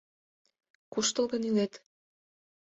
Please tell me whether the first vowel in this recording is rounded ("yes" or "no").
yes